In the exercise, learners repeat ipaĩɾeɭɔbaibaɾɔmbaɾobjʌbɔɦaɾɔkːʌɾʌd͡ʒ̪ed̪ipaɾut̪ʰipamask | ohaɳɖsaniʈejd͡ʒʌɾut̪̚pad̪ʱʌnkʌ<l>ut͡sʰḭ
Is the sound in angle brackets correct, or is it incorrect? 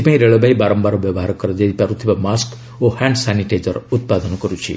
incorrect